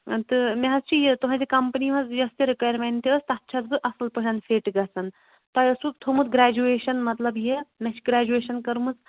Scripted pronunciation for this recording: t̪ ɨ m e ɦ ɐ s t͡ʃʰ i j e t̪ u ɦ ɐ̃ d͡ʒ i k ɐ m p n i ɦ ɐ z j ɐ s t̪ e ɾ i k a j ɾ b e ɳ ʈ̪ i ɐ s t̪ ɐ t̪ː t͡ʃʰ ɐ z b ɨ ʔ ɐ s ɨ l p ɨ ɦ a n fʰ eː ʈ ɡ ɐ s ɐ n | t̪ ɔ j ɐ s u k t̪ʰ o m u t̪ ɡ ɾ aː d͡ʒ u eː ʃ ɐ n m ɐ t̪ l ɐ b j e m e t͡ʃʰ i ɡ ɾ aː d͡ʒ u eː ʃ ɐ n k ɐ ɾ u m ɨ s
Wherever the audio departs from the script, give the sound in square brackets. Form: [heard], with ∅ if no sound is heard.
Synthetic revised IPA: t̪ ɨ m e ɦ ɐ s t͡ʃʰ i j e t̪ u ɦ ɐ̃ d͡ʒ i k ɐ m p n i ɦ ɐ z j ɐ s t̪ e ɾ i k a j ɾ [m] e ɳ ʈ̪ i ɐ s t̪ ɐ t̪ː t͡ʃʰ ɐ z b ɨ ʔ ɐ s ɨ l p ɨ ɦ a n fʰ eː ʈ ɡ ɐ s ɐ n | t̪ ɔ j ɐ s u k t̪ʰ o m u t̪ ɡ ɾ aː d͡ʒ u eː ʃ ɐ n m ɐ t̪ l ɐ b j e m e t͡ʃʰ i ɡ ɾ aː d͡ʒ u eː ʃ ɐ n k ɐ ɾ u m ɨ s